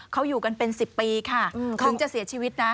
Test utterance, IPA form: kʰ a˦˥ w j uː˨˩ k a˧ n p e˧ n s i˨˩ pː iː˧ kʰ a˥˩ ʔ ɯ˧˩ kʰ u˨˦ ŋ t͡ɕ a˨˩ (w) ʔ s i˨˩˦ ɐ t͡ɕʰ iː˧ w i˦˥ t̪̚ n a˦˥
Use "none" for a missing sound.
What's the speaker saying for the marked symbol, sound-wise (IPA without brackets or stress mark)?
none